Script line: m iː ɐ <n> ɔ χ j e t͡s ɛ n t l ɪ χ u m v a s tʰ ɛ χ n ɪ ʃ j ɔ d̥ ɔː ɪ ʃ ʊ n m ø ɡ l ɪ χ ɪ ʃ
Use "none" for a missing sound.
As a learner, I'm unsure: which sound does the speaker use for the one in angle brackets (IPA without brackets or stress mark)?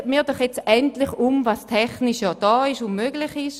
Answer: d